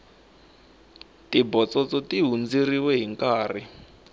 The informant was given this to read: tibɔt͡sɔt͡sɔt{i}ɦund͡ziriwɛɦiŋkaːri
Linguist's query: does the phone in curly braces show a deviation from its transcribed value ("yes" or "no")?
no